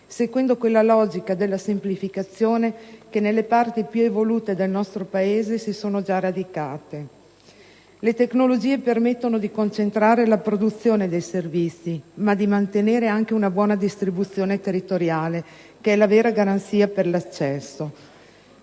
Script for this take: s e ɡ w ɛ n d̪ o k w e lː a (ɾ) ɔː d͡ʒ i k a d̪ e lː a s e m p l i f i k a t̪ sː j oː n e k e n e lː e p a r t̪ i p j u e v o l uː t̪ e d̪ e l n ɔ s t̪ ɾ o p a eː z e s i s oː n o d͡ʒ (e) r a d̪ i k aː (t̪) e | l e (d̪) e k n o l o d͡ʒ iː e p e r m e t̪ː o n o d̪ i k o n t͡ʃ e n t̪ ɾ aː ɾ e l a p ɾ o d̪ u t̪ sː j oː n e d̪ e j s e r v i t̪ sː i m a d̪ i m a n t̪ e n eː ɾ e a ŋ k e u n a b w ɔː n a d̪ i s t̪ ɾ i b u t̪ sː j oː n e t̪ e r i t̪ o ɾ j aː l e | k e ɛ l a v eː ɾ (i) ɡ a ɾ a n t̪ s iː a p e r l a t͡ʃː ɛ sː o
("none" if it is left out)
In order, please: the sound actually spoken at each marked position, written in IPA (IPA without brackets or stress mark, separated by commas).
l, a, t̪, t̪, a